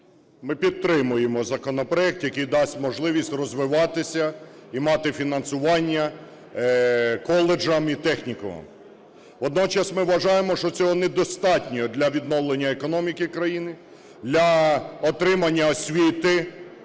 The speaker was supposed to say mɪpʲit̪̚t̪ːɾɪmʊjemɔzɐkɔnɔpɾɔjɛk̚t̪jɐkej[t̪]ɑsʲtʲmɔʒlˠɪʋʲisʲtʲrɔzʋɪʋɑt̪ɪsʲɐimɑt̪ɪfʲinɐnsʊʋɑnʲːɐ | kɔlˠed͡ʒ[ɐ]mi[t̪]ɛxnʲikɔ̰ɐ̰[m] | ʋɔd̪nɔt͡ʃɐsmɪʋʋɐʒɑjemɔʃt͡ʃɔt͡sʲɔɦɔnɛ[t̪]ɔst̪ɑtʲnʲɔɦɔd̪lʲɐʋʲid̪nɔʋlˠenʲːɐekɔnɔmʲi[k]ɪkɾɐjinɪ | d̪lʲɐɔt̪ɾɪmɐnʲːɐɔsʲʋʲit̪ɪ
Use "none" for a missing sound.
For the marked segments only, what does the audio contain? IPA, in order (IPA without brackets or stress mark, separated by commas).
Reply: d̪, ɐ, t̪, m, d̪, k